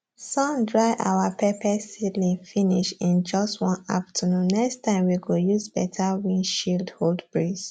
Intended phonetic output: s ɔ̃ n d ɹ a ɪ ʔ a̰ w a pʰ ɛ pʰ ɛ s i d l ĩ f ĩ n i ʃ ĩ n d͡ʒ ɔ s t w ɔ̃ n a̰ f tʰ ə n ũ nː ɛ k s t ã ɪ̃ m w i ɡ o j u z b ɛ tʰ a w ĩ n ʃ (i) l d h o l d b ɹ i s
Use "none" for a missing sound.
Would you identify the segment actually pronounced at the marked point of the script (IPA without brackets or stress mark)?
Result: i